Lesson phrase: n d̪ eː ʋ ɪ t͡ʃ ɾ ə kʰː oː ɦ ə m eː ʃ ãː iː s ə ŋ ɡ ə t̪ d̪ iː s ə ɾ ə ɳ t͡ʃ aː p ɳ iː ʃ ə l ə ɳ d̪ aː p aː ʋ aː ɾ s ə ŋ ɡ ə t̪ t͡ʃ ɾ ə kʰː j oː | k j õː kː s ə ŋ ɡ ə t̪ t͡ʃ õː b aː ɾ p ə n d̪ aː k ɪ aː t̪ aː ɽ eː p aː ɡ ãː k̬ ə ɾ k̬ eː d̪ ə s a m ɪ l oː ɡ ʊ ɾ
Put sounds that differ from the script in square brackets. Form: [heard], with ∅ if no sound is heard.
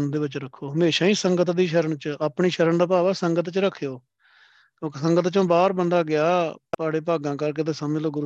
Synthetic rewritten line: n d̪ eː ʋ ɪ t͡ʃ ɾ ə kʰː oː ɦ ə m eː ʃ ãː iː s ə ŋ ɡ ə t̪ d̪ iː [ʃ] ə ɾ ə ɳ t͡ʃ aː p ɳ iː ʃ ə [ɾ] ə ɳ d̪ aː p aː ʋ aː [∅] s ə ŋ ɡ ə t̪ t͡ʃ ɾ ə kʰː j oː | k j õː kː s ə ŋ ɡ ə t̪ t͡ʃ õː b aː ɾ [b] ə n d̪ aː [ɡ] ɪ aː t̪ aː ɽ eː p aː ɡ ãː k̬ ə ɾ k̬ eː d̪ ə s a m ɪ l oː ɡ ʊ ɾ